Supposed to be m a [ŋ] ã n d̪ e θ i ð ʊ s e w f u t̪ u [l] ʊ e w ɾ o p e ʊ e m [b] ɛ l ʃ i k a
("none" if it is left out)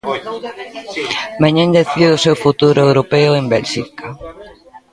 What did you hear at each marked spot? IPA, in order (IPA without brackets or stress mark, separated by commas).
ɲ, ɾ, b